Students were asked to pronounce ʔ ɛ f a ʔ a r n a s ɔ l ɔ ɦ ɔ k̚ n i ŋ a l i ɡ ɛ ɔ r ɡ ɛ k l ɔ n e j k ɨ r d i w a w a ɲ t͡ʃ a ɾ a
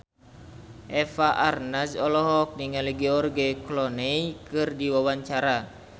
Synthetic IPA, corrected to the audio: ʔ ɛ f a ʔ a r n a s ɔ l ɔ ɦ ɔ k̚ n i ŋ a l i ɡ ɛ ɔ r ɡ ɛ k l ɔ n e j k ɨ r d i w a w a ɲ t͡ʃ a ɾ a